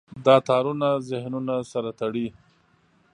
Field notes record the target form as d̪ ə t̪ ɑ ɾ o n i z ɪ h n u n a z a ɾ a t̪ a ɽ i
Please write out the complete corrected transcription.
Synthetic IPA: d̪ ɑ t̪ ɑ ɾ u n a z ɪ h n u n a s a ɾ a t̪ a ɽ i

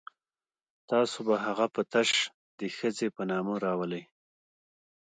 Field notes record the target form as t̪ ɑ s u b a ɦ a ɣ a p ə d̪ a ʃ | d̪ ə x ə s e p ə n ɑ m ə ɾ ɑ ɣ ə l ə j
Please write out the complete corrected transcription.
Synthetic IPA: t̪ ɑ s o b a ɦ a ɣ a p ə t̪ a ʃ | d̪ ə x ə z e p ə n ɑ m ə ɾ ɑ w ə l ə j

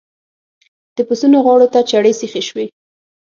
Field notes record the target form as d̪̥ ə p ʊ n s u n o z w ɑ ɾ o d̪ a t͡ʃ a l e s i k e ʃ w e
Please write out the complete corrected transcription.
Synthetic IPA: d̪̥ ə p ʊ s u n o ɣ w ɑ ɽ o t̪ a t͡ʃ a ɽ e s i x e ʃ w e

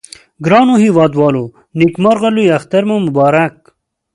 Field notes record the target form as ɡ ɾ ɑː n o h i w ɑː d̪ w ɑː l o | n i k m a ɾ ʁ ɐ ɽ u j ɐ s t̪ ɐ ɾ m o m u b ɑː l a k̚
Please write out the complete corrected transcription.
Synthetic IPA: ɡ ɾ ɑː n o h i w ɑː d̪ w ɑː l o | n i k m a ɾ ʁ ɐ l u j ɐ x t̪ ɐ ɾ m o m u b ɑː ɾ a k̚

